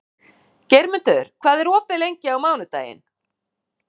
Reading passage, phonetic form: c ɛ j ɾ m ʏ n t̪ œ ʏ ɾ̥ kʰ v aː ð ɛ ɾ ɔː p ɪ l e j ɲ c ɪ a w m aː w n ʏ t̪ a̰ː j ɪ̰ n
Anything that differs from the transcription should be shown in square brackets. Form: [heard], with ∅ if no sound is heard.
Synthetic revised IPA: c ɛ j ɾ m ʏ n t̪ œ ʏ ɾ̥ kʰ v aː ð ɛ ɾ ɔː p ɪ l e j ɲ c ɪ a w m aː w n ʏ t̪ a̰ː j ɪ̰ n